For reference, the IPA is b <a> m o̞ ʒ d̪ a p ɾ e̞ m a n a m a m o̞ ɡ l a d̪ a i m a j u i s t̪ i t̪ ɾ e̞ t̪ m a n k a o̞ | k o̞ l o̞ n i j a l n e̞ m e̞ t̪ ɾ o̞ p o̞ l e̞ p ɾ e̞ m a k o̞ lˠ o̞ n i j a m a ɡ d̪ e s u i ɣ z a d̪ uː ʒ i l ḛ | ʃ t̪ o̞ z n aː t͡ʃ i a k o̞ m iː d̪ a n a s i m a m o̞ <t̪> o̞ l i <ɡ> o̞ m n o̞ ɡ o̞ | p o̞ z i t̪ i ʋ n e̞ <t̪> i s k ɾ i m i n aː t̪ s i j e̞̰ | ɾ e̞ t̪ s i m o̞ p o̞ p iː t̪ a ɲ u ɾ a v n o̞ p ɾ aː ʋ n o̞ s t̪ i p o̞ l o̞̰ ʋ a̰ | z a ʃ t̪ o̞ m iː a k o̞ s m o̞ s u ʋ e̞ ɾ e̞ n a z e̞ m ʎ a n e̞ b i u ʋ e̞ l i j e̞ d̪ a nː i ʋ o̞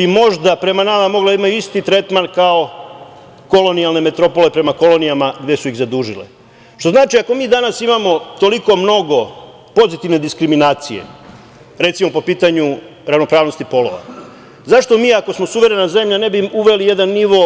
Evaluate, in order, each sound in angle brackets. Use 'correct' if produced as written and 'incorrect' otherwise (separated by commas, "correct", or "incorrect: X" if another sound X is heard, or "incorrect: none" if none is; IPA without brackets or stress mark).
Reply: incorrect: i, correct, incorrect: k, incorrect: d̪